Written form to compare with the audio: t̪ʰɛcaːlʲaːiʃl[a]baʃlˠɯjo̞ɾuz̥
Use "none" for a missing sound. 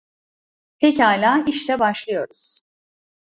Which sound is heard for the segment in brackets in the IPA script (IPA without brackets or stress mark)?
ɛ